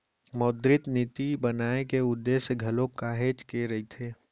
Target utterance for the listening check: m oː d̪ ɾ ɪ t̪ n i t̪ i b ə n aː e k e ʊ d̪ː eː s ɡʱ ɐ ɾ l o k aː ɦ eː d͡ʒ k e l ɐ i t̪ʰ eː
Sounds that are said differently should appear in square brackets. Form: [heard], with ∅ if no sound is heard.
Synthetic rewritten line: m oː d̪ ɾ ɪ t̪ n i t̪ i b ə n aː e k e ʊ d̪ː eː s ɡʱ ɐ [∅] l o k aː ɦ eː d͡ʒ k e [ɾ] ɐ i t̪ʰ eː